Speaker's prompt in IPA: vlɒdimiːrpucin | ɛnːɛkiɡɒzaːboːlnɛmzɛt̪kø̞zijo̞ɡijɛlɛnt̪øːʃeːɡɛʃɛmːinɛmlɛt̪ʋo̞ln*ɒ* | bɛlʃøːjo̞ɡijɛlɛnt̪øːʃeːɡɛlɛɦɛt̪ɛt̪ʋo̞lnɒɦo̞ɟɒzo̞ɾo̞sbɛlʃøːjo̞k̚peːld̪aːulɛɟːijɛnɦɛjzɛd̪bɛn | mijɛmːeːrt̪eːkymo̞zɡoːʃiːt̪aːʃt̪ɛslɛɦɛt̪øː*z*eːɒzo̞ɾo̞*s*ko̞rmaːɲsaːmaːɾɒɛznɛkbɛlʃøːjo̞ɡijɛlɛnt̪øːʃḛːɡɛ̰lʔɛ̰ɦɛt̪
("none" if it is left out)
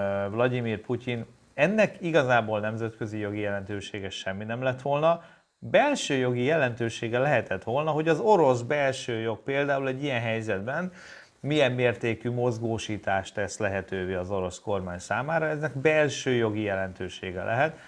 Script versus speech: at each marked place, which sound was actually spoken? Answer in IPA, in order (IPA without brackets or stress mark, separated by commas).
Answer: ɒ, v, s